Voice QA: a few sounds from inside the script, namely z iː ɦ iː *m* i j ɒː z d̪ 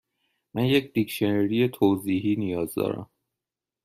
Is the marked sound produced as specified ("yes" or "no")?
no